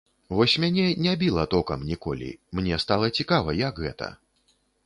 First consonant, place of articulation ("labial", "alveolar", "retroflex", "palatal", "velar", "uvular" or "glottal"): labial